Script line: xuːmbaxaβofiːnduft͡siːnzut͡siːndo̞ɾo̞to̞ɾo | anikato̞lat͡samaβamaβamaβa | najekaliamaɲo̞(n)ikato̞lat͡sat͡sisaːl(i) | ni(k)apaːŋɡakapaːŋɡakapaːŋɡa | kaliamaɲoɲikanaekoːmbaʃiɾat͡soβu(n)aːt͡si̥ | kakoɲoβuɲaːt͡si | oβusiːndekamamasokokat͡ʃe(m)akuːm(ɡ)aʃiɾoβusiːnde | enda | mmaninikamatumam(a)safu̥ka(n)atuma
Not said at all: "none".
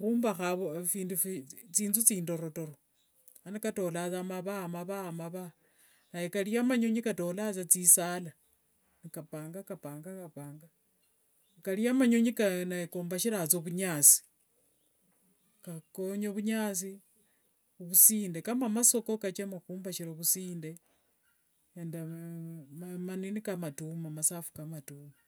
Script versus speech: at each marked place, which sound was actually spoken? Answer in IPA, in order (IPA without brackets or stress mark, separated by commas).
ɲ, a, k, ɲ, m, b, a, m